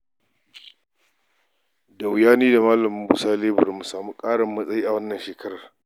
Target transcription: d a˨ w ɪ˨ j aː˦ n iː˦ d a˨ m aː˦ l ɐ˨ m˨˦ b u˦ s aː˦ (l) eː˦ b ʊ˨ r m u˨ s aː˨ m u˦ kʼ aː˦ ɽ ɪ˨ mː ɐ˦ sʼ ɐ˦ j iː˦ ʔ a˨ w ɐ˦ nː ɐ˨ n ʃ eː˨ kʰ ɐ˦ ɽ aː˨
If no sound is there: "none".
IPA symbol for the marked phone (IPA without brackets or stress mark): l